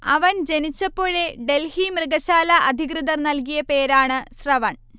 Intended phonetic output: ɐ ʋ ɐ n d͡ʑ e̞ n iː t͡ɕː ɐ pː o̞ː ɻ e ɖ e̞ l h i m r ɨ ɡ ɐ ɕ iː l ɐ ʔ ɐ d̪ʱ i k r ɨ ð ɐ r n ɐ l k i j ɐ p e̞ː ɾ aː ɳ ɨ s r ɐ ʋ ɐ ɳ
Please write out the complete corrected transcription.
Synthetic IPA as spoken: ɐ ʋ ɐ n d͡ʑ e̞ n i t͡ɕː ɐ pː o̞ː ɻ e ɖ e̞ l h i m r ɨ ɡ ɐ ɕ aː l ɐ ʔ ɐ d̪ʱ i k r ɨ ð ɐ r n ɐ l k i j ɐ p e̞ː ɾ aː ɳ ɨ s r ɐ ʋ ɐ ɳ